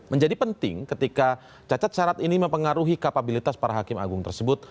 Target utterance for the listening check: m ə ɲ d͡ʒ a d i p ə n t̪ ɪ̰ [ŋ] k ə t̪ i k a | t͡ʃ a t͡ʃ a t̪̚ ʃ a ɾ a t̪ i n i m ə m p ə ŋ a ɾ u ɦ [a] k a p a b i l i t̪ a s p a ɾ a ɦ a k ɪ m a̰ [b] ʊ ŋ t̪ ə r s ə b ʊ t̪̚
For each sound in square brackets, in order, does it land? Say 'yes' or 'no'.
yes, no, no

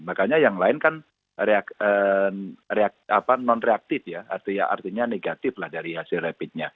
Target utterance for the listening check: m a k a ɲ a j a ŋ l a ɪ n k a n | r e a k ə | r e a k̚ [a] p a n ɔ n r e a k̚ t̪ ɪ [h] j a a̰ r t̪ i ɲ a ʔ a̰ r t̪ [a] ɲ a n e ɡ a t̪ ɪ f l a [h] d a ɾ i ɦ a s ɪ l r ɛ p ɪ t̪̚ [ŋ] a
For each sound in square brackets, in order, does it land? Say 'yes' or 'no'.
yes, no, no, yes, no

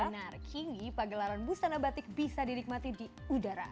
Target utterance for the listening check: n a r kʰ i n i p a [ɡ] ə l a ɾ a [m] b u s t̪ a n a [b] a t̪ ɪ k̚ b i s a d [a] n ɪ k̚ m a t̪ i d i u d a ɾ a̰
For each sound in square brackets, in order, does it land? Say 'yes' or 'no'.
yes, no, yes, no

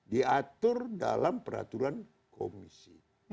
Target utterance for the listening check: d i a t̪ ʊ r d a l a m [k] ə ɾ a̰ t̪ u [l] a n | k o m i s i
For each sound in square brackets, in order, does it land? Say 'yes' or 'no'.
no, no

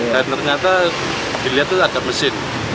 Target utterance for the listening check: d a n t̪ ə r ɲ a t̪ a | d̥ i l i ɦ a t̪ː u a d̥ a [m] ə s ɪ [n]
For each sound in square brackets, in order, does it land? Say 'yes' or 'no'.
yes, yes

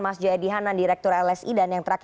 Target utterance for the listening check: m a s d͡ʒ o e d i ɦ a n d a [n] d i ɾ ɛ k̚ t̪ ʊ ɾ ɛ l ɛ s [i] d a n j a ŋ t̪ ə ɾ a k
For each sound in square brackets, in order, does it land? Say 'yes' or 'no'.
yes, yes

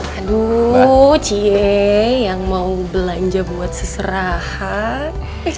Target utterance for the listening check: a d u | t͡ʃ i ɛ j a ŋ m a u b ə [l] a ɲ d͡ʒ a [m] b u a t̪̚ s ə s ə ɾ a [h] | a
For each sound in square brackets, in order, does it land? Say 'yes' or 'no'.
yes, no, yes

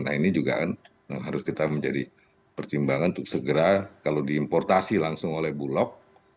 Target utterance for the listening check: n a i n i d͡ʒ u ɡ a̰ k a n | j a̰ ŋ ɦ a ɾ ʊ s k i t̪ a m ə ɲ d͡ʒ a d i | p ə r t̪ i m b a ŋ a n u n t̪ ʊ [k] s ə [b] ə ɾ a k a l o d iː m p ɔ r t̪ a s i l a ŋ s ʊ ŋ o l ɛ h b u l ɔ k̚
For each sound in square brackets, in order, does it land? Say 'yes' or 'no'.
yes, no

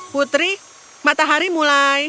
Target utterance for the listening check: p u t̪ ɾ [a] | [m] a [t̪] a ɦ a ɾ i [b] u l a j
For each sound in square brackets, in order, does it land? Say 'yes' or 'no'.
no, yes, yes, no

